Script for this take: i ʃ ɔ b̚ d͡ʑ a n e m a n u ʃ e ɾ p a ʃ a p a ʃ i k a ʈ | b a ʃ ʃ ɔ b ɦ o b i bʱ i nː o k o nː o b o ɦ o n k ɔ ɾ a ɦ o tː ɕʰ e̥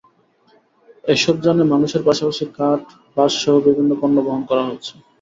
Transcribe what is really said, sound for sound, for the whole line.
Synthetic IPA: e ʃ ɔ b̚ d͡ʑ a n e m a n u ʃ e ɾ p a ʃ a p a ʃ i k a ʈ | b a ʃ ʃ ɔ ɦ o b i bʱ i nː o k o nː o b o ɦ o n k ɔ ɾ a ɦ o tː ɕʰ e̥